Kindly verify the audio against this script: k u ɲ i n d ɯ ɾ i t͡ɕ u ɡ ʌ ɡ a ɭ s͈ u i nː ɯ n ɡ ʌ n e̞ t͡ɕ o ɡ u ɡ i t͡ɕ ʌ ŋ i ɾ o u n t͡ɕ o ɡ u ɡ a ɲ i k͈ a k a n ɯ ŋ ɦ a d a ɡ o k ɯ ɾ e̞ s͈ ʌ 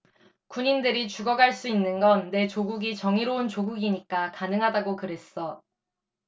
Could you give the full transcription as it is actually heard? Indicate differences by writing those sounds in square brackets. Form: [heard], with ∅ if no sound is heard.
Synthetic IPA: k u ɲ i n d ɯ ɾ i t͡ɕ u ɡ ʌ ɡ a ɭ s͈ u i nː ɯ n ɡ ʌ [nː] e̞ t͡ɕ o ɡ u ɡ i t͡ɕ ʌ ŋ i ɾ o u n t͡ɕ o ɡ u ɡ [i] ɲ i k͈ a k a n ɯ ŋ ɦ a d a ɡ o k ɯ ɾ e̞ s͈ ʌ